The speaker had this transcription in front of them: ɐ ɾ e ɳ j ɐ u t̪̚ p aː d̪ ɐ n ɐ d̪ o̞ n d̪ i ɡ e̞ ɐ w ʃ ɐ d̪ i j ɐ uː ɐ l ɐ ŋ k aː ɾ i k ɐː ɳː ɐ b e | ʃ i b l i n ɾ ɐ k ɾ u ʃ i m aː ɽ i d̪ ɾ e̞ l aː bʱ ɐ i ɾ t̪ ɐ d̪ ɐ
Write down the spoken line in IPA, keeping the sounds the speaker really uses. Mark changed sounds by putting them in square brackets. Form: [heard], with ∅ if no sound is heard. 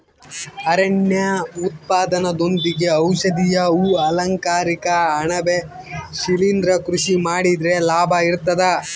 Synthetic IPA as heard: ɐ ɾ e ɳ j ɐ u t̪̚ p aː d̪ ɐ n ɐ d̪ o̞ n d̪ i ɡ e̞ ɐ w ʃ ɐ d̪ i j ɐ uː ɐ l ɐ ŋ k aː ɾ i k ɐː [ɳ] ɐ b e | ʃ i [∅] l i n ɾ ɐ k ɾ u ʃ i m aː ɽ i d̪ ɾ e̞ l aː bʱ ɐ i ɾ t̪ ɐ d̪ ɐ